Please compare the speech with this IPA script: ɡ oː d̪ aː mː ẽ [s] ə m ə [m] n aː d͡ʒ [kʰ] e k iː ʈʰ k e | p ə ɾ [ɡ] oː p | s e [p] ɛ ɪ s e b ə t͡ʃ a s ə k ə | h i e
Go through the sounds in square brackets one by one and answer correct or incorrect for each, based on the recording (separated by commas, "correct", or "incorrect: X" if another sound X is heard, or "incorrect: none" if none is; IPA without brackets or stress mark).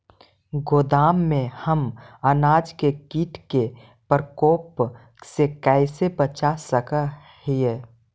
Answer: incorrect: h, incorrect: none, incorrect: k, incorrect: k, incorrect: k